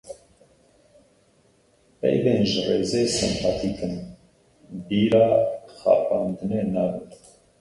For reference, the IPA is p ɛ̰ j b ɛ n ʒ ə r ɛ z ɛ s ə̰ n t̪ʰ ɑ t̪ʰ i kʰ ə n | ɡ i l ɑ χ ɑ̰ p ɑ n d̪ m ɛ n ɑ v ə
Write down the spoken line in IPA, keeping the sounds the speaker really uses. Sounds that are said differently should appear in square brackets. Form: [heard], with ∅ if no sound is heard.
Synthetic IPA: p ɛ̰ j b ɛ n ʒ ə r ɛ z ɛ s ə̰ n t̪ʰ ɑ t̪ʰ i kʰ ə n | [b] i [ɾ] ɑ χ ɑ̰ p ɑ n d̪ [n] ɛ n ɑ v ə